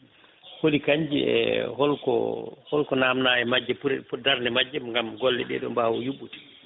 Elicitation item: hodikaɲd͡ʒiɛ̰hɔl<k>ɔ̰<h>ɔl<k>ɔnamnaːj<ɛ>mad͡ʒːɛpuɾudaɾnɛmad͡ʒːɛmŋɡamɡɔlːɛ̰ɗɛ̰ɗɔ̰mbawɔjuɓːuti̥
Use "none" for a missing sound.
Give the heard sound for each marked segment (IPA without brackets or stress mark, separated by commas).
k, h, k, ɛ